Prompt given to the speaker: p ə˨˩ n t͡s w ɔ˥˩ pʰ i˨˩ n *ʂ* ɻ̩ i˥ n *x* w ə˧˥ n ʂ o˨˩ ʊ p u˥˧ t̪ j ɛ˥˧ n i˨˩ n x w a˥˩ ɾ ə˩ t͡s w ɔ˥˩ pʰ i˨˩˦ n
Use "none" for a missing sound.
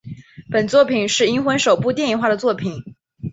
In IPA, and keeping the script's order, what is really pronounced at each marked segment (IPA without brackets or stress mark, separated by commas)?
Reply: ʂ, x